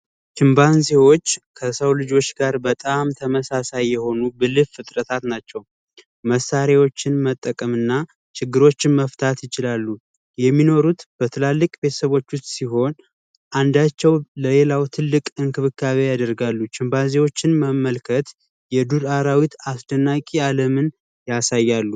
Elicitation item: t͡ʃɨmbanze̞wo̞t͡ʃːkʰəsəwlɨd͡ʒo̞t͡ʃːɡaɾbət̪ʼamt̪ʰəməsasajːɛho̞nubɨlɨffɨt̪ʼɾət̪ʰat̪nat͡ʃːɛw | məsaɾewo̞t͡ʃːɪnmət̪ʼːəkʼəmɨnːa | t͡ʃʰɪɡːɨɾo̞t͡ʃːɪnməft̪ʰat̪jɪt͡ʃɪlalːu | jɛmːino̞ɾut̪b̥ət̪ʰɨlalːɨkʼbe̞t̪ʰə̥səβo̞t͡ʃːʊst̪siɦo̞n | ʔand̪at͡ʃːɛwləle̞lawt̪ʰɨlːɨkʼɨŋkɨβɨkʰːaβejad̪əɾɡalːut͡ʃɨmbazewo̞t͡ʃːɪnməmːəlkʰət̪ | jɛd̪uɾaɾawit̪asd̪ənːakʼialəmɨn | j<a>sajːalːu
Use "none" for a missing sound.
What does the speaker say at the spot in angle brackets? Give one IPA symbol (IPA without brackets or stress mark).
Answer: a